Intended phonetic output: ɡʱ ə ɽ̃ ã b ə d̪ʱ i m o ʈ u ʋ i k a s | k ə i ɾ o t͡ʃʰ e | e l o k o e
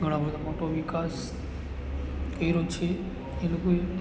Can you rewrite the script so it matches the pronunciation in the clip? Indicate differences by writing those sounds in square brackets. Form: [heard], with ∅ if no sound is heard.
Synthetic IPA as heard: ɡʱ ə ɽ̃ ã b ə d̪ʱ [a] m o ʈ [o] ʋ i k a s | k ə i ɾ o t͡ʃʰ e | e l o k o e